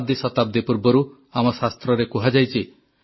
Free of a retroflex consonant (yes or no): yes